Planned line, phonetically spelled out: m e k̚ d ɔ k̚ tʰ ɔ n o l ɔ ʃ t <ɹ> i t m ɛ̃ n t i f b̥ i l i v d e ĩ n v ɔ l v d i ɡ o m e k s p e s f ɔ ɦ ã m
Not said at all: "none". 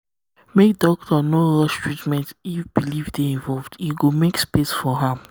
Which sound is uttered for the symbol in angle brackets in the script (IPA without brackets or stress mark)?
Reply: ɹ